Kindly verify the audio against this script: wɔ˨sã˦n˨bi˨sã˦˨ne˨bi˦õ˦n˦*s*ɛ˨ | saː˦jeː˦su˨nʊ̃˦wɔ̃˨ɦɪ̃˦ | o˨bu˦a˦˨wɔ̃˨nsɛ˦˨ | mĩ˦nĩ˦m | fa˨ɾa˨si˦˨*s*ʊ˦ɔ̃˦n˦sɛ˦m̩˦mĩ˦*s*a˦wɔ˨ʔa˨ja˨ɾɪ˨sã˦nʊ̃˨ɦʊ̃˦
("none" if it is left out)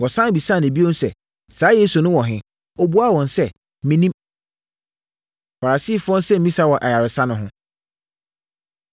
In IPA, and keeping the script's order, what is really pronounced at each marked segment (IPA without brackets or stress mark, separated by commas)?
s, f, s